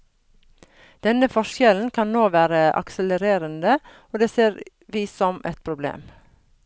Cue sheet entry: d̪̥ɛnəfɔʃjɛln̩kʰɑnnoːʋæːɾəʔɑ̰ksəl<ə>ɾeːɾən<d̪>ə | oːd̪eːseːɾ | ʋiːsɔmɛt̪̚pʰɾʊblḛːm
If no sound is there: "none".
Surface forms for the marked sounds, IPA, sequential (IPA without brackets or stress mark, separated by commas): ə, d̪